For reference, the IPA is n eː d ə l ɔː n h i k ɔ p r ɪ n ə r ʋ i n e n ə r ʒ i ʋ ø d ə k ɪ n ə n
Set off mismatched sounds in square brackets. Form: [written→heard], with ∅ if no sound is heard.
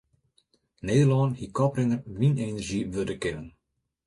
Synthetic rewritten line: n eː d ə l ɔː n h i k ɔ p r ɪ n ə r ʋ i n e n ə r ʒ i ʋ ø d ə k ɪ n ə n